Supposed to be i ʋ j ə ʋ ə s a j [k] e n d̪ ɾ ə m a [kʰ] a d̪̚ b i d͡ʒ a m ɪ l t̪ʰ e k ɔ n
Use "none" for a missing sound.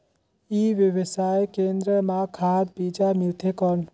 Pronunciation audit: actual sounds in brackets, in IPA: k, kʰ

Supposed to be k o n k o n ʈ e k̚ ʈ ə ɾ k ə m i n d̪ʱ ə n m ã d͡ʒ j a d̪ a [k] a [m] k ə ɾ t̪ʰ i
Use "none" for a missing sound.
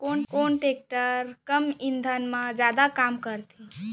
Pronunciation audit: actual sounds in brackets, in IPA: k, m

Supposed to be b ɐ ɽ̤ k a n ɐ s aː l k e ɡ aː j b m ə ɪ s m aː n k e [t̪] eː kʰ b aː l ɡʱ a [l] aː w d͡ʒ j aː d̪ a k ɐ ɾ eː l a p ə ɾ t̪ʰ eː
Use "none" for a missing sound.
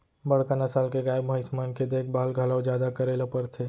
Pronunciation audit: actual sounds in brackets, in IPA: d̪, l

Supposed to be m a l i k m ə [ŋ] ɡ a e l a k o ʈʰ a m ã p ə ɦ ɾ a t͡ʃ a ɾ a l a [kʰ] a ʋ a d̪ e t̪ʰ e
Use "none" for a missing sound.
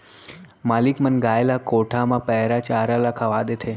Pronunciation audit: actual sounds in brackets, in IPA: n, kʰ

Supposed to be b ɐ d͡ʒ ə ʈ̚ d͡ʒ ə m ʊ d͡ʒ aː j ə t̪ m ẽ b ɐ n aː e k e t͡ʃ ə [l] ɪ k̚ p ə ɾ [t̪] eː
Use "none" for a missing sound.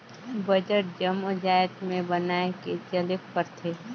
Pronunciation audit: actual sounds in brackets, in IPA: l, t̪ʰ

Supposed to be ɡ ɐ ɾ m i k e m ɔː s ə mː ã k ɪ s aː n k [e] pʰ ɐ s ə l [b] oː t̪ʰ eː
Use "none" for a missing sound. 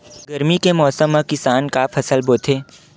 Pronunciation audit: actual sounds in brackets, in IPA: a, b

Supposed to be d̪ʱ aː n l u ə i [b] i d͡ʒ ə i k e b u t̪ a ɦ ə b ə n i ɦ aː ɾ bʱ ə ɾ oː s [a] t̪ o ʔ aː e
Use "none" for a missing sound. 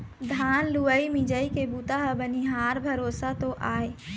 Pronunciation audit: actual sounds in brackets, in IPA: m, a

